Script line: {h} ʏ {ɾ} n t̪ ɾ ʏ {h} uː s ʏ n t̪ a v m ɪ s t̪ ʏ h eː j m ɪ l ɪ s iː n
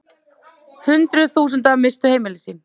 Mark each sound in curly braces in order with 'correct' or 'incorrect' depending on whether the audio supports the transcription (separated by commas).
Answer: correct, incorrect, incorrect